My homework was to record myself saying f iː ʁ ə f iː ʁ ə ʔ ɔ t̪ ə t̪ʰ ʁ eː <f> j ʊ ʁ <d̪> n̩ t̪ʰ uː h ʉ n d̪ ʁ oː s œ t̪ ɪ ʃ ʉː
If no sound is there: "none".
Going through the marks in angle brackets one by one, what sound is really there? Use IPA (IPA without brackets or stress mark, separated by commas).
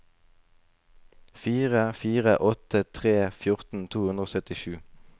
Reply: f, t̪